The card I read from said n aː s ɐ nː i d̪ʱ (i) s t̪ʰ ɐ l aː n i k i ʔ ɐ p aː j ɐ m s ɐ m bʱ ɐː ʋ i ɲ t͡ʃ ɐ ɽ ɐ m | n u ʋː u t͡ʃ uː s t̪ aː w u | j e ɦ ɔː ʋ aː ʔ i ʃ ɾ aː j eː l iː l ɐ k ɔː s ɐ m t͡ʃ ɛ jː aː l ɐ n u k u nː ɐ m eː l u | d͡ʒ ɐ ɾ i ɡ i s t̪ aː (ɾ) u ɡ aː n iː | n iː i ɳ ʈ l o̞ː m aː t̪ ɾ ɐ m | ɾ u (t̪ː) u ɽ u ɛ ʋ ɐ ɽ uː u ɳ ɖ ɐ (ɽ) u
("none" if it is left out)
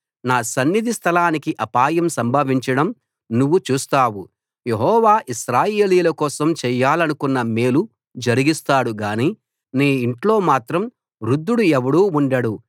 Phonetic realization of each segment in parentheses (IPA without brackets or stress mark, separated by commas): i, ɽ, d̪ː, ɽ